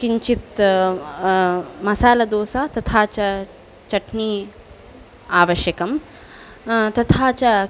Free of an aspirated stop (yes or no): no